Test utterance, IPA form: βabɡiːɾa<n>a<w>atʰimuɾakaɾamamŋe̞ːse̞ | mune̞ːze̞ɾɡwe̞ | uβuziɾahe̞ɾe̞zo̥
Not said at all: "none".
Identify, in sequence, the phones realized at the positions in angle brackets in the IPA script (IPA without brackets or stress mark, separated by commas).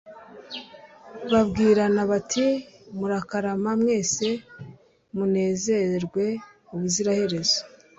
n, β